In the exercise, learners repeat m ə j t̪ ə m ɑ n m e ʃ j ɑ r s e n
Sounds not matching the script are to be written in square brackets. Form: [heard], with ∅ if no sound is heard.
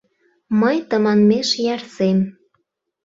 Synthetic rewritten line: m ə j t̪ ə m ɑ n m e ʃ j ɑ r s e [m]